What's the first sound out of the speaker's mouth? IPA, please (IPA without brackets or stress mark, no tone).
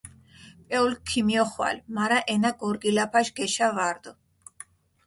pʼ